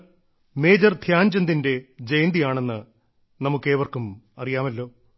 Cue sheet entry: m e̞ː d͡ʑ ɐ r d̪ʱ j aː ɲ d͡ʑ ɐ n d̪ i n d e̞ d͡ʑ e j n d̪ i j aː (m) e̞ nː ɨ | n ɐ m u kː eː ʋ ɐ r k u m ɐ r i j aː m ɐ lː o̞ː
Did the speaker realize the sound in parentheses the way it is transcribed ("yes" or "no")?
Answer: no